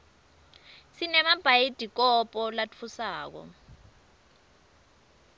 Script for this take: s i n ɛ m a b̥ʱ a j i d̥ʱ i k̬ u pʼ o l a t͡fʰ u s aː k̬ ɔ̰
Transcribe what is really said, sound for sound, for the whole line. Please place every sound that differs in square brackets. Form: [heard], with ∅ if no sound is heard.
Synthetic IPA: s i n ɛ m a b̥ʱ a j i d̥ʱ i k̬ [ɔ] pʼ [ɔ] l a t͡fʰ u s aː k̬ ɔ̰